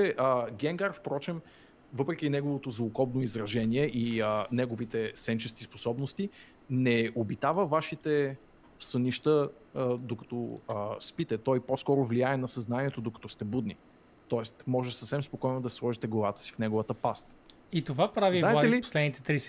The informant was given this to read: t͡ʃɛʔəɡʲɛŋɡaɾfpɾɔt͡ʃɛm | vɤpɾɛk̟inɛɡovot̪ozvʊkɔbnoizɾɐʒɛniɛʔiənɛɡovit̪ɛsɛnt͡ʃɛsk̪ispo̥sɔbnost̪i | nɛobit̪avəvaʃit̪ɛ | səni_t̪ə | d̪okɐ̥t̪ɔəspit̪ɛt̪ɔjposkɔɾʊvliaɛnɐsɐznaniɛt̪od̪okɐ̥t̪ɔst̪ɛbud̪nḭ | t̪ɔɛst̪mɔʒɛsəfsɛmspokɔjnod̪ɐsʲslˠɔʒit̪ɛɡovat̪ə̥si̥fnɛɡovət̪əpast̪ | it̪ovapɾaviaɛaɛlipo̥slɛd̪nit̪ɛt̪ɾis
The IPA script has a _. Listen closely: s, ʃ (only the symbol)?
ʃ